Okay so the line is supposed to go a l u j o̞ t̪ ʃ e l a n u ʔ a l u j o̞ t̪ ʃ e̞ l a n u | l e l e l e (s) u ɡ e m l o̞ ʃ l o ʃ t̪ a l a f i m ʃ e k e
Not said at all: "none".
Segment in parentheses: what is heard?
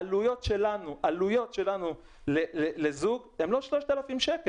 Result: z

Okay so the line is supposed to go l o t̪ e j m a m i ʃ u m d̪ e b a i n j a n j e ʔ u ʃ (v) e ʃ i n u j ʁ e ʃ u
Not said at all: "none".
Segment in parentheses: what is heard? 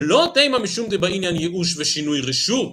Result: v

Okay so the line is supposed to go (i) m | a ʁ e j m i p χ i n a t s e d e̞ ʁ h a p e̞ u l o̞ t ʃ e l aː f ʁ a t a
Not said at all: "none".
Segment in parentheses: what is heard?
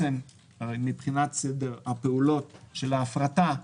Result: e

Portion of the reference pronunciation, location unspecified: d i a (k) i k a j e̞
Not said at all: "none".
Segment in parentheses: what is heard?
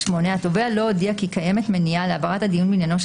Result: k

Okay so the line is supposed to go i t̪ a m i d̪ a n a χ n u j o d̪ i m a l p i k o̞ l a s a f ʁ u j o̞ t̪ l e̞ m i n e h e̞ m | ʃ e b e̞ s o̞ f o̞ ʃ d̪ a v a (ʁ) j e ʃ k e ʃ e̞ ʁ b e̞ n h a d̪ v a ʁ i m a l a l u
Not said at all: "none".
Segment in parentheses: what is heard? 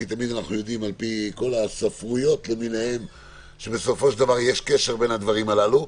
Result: ʁ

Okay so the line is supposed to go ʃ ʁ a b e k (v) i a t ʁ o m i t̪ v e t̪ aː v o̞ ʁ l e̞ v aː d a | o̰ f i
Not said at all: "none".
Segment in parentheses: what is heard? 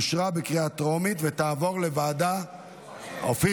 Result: ʁ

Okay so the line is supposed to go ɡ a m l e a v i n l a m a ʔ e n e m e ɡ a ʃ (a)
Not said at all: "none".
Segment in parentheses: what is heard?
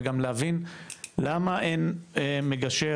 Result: e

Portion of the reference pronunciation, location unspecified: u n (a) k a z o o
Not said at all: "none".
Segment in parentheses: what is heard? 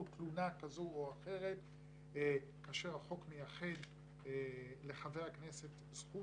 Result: a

